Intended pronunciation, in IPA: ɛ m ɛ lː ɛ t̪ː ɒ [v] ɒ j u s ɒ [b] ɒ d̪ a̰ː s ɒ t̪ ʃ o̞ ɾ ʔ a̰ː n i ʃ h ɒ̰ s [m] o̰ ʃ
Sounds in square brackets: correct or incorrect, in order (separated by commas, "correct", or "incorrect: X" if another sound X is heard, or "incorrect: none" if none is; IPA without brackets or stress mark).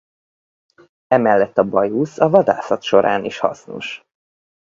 incorrect: b, incorrect: v, incorrect: n